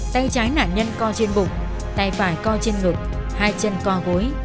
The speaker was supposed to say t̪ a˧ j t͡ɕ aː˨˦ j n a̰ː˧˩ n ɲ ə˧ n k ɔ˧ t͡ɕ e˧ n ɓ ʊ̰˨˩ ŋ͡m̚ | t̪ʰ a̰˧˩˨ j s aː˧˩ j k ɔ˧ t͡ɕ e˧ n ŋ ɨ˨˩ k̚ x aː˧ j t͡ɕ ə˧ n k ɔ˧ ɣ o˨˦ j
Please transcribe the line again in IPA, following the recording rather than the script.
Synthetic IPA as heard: t̪ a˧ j t͡ɕ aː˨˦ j n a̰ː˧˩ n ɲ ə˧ n k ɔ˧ t͡ɕ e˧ n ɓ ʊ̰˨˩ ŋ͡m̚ | t̪ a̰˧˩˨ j f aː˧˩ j k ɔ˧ t͡ɕ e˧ n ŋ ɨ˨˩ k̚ h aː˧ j t͡ɕ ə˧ n k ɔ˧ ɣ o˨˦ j